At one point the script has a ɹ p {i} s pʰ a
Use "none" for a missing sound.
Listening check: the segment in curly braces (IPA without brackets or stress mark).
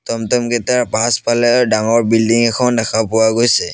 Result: a